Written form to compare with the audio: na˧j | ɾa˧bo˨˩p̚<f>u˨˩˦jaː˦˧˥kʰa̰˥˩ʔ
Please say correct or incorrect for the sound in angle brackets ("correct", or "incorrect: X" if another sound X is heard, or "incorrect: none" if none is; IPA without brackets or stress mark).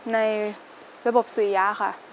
incorrect: s